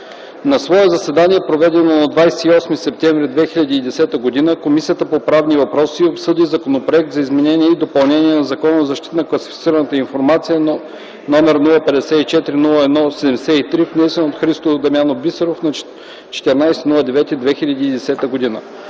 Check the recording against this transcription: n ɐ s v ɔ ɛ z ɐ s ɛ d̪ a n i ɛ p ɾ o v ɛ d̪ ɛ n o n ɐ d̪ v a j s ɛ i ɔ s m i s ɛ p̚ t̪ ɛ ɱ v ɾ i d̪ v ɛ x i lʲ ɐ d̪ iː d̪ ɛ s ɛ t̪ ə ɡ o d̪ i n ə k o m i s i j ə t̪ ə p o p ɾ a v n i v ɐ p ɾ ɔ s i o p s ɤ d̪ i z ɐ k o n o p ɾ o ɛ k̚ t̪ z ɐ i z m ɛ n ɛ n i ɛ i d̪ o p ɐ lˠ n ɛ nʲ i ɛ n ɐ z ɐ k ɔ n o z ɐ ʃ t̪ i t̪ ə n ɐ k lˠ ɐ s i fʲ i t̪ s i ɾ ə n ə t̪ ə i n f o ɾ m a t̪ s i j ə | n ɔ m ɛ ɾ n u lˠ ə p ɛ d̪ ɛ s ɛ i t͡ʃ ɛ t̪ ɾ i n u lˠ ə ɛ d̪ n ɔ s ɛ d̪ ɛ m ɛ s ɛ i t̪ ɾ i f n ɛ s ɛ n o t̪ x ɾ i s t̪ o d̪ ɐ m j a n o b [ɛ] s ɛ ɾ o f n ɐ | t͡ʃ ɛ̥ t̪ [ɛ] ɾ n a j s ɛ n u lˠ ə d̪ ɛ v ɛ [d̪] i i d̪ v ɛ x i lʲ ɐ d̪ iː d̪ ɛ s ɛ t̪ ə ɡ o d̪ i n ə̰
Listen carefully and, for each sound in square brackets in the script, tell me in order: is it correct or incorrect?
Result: incorrect, correct, incorrect

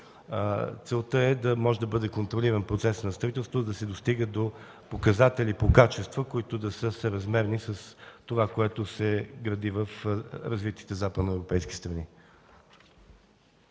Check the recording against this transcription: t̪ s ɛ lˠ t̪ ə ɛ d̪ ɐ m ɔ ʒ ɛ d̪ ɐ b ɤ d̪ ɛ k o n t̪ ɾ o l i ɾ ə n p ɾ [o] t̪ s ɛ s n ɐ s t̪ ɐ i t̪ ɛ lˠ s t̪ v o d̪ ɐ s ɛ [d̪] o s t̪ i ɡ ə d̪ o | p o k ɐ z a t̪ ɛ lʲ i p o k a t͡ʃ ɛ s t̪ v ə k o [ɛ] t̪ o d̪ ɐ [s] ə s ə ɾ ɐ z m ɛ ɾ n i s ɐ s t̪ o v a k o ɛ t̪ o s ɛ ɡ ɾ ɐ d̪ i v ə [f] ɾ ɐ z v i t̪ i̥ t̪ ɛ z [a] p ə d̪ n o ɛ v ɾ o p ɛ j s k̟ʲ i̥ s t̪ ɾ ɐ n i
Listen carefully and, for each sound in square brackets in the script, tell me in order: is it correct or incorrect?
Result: correct, correct, incorrect, correct, correct, correct

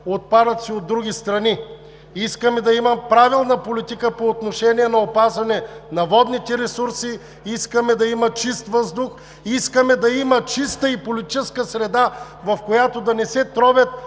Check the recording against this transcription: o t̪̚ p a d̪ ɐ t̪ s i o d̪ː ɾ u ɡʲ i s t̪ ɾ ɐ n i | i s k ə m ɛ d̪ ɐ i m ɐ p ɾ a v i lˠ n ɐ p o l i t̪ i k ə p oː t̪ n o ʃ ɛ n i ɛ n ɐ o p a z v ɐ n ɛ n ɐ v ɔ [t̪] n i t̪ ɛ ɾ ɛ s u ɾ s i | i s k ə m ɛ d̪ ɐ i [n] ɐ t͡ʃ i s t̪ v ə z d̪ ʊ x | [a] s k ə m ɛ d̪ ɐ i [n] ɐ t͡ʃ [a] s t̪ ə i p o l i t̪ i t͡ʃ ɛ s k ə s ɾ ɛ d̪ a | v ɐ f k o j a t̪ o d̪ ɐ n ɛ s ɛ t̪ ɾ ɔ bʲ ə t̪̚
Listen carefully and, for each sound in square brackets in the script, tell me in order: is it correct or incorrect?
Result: incorrect, incorrect, incorrect, incorrect, incorrect

